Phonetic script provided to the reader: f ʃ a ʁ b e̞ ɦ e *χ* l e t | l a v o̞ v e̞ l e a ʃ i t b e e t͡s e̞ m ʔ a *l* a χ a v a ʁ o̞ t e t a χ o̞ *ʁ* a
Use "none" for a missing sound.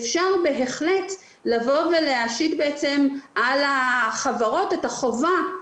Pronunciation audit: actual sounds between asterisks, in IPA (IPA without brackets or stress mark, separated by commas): χ, l, v